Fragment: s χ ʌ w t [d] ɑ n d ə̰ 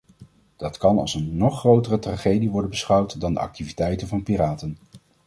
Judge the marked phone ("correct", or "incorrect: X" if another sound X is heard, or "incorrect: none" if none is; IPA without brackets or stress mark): correct